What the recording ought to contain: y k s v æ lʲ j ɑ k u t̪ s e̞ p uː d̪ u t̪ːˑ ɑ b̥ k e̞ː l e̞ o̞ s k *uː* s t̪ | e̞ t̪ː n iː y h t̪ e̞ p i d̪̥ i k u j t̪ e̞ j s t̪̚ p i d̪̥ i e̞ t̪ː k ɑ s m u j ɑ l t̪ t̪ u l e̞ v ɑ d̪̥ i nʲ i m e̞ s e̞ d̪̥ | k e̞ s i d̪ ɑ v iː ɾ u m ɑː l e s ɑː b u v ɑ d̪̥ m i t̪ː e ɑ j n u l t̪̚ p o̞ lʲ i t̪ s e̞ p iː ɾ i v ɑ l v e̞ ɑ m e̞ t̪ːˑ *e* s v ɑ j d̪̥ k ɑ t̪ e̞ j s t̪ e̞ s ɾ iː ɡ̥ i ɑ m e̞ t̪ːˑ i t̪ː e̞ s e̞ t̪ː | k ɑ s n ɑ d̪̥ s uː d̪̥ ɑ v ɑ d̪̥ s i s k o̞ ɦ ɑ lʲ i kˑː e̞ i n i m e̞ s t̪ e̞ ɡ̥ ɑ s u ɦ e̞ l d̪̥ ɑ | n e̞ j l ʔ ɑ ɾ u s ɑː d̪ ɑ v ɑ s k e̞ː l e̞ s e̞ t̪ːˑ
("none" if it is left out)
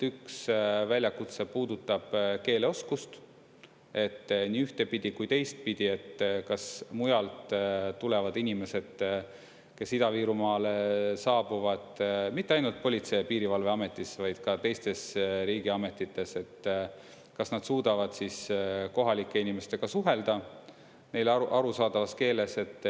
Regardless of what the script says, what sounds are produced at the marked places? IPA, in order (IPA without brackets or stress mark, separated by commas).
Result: u, i